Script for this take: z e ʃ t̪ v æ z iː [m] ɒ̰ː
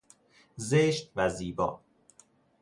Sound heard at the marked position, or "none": b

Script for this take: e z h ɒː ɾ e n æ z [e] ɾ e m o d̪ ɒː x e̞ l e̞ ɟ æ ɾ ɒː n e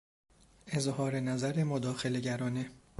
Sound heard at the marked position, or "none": æ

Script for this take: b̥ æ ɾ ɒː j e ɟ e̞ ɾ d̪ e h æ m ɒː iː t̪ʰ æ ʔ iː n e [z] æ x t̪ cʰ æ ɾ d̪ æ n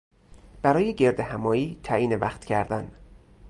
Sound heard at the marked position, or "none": v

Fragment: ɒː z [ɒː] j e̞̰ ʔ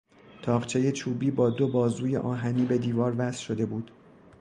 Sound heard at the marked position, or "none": uː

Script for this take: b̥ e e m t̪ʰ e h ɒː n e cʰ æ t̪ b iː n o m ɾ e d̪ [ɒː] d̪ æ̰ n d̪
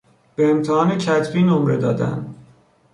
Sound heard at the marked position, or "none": ɒː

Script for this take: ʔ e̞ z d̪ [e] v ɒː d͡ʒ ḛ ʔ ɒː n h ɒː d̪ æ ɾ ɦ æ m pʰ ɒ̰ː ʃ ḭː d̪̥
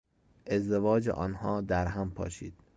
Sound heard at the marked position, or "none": e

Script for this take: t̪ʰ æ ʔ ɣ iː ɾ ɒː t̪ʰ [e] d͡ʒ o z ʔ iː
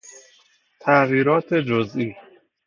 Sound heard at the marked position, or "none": e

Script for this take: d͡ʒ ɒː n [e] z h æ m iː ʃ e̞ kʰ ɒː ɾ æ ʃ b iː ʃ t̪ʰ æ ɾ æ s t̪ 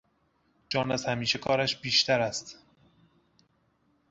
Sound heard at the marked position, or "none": æ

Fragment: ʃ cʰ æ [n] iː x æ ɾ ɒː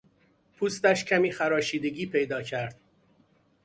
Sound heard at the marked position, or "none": m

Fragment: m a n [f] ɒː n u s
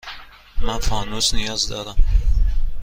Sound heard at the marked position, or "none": f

